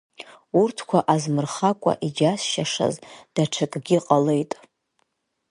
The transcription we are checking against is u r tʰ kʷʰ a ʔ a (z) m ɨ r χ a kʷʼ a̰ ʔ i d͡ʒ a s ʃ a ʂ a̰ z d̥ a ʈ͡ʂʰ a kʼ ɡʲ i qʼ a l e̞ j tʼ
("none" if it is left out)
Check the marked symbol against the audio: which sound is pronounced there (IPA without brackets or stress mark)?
z